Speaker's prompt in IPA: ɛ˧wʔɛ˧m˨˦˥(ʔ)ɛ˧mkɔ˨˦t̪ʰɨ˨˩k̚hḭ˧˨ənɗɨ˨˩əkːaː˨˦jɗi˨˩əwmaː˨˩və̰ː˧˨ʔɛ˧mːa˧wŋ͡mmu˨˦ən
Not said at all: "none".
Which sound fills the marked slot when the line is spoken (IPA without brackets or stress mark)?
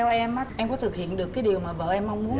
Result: ʔ